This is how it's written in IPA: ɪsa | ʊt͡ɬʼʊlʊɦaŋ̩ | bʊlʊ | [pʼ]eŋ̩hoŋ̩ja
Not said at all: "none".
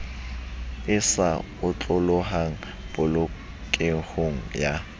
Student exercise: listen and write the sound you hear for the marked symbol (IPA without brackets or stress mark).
kʼ